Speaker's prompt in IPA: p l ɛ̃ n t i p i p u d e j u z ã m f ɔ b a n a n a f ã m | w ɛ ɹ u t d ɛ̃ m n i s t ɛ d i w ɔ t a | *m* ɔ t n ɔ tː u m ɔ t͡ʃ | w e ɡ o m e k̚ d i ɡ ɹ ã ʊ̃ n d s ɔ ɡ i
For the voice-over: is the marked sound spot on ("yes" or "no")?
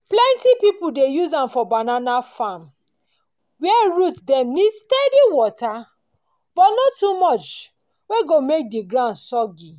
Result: no